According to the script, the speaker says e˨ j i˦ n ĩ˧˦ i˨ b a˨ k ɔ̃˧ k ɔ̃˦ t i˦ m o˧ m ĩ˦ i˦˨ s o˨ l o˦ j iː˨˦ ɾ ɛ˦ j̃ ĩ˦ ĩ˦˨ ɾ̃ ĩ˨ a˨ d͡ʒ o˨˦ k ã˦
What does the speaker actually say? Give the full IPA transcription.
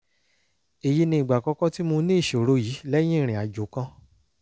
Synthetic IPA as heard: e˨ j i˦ n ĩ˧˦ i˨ ɡ͡b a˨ k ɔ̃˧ k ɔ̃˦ t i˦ m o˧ n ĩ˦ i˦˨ ʃ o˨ ɾ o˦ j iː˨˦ l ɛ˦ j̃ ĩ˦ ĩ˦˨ ɾ̃ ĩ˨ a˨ d͡ʒ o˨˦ k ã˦